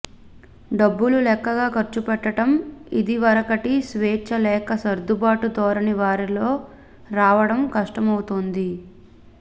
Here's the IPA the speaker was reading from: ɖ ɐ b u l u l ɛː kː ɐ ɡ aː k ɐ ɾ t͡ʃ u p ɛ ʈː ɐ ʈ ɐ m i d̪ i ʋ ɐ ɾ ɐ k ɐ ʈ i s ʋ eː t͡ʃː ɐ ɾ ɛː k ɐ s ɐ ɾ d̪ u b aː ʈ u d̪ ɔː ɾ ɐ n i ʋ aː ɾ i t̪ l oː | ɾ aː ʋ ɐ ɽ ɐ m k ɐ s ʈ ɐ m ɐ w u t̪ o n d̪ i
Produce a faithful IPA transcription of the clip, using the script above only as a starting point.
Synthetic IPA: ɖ ɐ bː u l u l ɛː kː ɐ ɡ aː k ɐ ɾ t͡ʃ u p ɛ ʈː ɐ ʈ ɐ m i d̪ i ʋ ɐ ɾ ɐ k ɐ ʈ i s ʋ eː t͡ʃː ɐ l ɛː k ɐ s ɐ ɾ d̪ u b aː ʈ u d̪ ɔː ɾ ɐ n i ʋ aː ɾ i l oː | ɾ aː ʋ ɐ ɽ ɐ m k ɐ ʂ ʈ ɐ m ɐ w u t̪ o n d̪ i